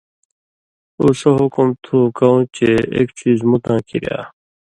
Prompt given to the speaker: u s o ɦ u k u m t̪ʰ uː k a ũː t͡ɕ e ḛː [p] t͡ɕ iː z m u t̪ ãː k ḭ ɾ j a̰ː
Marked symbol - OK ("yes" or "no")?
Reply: no